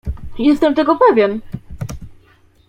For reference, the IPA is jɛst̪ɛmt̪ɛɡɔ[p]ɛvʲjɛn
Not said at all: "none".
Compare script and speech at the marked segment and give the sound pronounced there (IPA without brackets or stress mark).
p